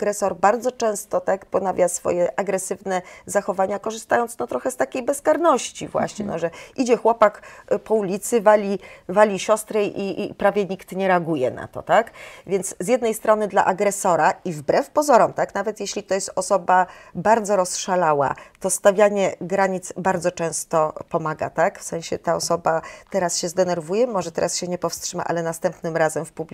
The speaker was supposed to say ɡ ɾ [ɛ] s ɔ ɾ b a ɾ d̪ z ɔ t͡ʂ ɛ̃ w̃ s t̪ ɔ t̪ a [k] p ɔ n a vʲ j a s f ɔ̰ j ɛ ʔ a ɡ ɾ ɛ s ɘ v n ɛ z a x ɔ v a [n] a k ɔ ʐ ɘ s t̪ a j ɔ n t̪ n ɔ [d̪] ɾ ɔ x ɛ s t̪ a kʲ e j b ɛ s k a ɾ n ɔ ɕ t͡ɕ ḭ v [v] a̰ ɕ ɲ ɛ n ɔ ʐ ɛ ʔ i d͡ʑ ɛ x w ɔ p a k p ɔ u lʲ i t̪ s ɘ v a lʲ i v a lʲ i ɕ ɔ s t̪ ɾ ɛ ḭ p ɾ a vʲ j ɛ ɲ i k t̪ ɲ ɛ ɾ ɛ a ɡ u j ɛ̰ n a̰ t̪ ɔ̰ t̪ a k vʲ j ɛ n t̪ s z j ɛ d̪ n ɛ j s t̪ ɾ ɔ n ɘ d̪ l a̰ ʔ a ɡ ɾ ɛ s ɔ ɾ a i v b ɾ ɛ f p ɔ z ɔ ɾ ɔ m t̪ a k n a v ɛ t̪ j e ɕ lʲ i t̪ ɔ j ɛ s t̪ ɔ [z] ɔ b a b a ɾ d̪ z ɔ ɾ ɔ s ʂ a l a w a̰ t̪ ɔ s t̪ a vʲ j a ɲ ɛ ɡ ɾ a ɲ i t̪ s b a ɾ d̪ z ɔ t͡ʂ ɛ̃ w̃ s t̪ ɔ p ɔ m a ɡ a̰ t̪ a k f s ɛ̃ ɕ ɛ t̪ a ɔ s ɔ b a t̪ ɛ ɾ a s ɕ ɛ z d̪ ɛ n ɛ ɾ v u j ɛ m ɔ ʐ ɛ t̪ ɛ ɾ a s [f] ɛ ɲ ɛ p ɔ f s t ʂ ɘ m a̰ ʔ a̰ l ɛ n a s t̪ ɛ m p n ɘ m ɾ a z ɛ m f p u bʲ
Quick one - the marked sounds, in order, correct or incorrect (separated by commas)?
correct, correct, incorrect, incorrect, incorrect, incorrect, incorrect